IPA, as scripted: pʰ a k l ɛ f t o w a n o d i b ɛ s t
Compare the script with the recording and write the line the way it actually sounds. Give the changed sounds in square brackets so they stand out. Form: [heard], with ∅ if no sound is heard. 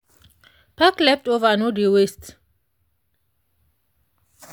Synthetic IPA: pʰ a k l ɛ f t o [v] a n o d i [w] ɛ s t